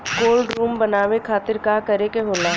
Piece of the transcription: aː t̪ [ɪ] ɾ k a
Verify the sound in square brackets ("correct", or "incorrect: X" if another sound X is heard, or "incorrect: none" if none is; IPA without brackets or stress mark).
correct